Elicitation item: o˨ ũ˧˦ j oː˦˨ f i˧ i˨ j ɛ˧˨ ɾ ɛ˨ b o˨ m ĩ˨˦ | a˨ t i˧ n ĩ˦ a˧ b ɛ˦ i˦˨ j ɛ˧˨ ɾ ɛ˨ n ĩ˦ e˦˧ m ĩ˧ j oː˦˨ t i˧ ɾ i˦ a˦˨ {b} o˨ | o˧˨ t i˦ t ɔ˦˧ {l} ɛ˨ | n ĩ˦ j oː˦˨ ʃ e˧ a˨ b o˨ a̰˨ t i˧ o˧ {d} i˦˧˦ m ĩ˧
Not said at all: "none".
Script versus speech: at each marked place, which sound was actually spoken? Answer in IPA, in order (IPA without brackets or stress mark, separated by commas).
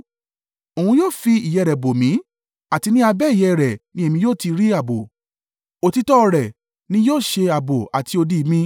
b, ɾ, d